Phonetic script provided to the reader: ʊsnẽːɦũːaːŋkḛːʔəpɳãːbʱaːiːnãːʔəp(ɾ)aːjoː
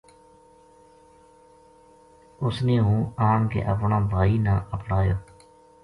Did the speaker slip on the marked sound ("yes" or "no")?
yes